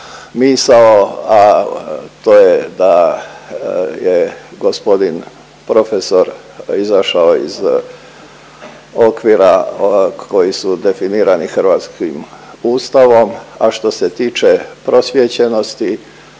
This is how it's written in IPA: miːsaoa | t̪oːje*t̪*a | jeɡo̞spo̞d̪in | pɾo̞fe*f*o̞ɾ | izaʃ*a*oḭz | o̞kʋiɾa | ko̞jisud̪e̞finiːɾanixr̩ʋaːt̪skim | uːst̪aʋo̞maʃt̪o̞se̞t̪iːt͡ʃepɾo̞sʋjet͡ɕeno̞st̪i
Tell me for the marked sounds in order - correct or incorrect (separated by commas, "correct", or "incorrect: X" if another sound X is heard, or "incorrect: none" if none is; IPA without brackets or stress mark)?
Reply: incorrect: d̪, incorrect: s, correct